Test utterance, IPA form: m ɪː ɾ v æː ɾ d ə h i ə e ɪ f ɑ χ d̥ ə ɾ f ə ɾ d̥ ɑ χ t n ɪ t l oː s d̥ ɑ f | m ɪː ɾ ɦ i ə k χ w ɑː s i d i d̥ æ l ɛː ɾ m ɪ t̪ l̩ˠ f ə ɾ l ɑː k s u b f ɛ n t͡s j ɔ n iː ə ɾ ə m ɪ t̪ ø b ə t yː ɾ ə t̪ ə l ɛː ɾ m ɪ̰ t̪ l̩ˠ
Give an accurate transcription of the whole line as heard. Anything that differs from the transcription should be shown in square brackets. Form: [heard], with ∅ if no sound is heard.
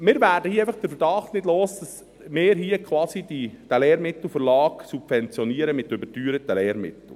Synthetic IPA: m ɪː ɾ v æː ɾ d ə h i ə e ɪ f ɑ χ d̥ ə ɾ f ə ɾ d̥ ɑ χ t n ɪ [d] l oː s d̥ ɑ [s] | m ɪː ɾ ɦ i ə k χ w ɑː s i d i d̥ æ l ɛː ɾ m ɪ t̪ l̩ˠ f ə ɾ l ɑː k s u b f ɛ n t͡s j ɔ n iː ə ɾ ə m ɪ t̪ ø b ə t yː ɾ ə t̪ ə l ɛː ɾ m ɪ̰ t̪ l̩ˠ

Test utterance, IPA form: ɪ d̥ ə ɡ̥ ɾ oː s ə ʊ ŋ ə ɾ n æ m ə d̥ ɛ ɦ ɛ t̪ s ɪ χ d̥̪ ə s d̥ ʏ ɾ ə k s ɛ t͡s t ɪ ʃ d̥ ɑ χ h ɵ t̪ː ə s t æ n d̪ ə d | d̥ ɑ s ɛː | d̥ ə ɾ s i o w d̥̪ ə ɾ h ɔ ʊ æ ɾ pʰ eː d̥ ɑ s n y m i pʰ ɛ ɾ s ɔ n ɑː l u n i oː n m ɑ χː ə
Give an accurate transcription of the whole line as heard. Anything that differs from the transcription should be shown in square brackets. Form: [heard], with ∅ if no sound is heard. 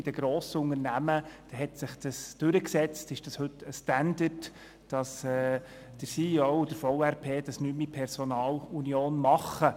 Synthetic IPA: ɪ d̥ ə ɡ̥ ɾ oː s ə ʊ ŋ ə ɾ n æ m ə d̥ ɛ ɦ ɛ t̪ s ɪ χ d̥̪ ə s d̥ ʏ ɾ ə k s ɛ t͡s t ɪ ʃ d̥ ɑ [s] h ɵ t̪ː ə s t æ n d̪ ə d | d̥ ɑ s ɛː | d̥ ə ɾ s i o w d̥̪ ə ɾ [f] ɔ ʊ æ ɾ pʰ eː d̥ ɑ s n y m i pʰ ɛ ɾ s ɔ n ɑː l u n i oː n m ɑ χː ə

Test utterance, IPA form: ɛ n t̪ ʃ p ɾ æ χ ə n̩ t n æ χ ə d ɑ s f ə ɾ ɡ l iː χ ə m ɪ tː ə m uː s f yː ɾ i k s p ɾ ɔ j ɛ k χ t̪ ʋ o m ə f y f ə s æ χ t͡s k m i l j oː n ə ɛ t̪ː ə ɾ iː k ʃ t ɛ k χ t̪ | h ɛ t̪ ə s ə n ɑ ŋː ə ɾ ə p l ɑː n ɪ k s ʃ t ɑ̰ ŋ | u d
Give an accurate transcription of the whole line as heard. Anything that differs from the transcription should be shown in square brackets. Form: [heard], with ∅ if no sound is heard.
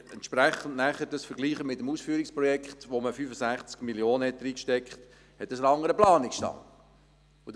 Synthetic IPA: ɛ n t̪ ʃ p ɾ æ χ ə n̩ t n æ χ ə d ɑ s f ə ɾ ɡ l iː χ ə m ɪ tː ə m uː s f yː ɾ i k s p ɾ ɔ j ɛ k χ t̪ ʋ o m ə f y f ə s æ χ t͡s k m i l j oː n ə ɛ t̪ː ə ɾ iː k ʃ t ɛ k χ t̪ | h ɛ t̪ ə s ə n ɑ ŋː ə ɾ ə p l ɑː n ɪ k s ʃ t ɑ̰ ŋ | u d

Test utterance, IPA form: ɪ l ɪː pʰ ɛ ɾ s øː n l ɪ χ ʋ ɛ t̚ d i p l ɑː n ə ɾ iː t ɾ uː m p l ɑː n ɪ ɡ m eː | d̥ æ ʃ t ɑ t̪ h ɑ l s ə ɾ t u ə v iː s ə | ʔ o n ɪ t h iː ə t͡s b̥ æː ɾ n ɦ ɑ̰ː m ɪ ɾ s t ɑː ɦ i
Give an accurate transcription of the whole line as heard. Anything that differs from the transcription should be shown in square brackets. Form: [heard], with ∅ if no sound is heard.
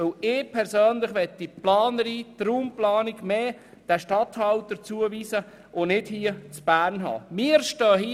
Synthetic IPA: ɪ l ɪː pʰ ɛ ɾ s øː n l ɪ χ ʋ ɛ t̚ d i p l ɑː n ə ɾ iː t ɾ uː m p l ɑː n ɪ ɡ m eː | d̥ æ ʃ t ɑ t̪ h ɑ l [t] ə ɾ [t͡s] u ə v iː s ə | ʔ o n ɪ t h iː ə t͡s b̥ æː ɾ n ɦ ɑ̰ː m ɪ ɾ [ʃ] t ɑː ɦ i

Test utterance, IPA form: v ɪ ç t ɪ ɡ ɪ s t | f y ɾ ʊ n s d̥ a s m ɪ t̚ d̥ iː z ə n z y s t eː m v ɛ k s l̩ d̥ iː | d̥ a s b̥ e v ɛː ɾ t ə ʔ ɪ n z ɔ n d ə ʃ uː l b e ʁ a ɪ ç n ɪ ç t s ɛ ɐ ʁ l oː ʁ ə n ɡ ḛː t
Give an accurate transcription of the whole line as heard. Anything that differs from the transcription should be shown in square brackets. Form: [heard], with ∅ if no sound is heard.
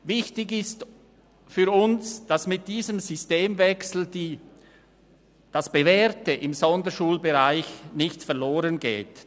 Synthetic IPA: v ɪ ç t ɪ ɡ ɪ s t | f y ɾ ʊ n s d̥ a s m ɪ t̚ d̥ iː z ə [m] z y s t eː m v ɛ k s l̩ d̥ iː | d̥ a s b̥ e v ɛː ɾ t ə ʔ ɪ [m] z ɔ n d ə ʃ uː l b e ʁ a ɪ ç n ɪ ç t [f] ɛ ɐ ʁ l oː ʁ ə n ɡ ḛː t

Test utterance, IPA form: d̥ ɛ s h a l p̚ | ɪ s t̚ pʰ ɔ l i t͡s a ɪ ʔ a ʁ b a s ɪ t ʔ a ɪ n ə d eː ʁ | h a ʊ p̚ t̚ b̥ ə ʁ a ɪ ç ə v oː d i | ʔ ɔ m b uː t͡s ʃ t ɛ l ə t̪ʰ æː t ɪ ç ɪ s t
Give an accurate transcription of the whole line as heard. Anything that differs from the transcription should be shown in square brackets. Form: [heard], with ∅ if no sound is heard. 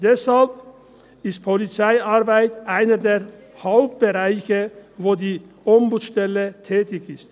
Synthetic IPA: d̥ ɛ s h a l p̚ | ɪ s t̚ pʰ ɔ l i t͡s a ɪ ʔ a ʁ b a [∅] ɪ t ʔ a ɪ n ə d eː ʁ | h a ʊ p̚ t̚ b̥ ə ʁ a ɪ ç ə v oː d [iː] | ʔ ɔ m b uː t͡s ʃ t ɛ l ə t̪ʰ [ɛː] t ɪ ç ɪ s t

